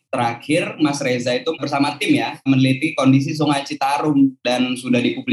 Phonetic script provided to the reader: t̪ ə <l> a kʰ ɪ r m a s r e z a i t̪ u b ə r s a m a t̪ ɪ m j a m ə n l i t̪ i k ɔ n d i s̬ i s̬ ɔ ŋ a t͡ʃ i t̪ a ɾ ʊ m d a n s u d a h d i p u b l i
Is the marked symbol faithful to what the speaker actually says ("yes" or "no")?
no